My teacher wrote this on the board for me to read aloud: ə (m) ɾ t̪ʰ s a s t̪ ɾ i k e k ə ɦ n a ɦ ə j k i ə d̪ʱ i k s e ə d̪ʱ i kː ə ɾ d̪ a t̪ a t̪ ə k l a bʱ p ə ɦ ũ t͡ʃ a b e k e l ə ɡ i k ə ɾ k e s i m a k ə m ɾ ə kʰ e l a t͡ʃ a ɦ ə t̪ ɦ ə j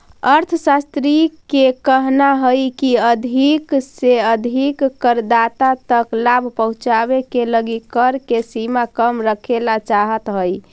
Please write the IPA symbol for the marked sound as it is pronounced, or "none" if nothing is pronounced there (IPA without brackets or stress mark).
none